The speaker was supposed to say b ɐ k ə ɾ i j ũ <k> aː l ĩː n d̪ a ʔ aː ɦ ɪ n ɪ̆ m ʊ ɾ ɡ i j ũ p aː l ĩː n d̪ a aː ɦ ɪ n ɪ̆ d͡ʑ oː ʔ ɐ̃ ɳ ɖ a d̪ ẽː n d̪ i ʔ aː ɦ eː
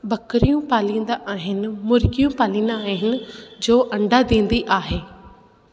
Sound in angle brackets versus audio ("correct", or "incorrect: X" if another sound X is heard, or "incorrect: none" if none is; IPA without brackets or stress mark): incorrect: p